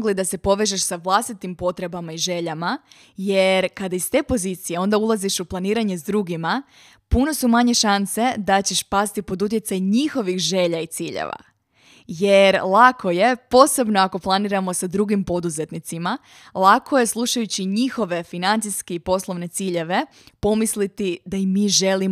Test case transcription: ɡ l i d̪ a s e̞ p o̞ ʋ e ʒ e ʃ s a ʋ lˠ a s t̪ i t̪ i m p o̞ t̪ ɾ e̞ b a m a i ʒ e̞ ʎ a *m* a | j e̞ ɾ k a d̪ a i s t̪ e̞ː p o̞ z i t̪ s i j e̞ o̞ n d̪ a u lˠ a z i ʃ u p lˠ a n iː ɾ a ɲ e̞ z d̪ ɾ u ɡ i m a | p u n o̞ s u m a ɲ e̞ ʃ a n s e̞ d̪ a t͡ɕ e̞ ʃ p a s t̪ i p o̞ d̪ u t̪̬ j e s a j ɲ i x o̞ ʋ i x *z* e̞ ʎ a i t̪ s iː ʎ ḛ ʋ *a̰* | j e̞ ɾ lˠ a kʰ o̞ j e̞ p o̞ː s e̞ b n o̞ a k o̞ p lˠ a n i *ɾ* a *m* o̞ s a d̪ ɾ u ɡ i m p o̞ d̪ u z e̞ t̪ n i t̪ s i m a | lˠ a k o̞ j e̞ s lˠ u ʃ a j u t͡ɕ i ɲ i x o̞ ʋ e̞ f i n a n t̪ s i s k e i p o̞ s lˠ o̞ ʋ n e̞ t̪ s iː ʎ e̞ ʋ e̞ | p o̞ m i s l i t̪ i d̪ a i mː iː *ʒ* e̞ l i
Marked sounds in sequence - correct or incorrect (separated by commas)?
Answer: correct, incorrect, correct, correct, correct, correct